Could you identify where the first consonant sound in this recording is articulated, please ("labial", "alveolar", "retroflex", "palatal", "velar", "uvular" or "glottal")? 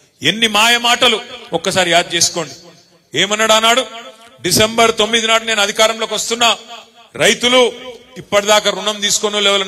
alveolar